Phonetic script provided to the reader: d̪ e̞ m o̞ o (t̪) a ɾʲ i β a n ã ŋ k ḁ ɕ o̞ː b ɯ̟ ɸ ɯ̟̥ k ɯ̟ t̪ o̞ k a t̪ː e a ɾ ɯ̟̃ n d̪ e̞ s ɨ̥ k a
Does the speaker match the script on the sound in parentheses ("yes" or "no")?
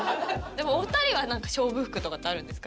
yes